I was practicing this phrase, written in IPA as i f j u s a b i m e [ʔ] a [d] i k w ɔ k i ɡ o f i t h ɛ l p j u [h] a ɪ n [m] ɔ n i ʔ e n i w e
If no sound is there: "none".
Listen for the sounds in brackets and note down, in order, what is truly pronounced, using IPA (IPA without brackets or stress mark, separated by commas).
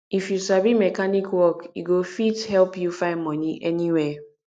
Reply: k, n, f, m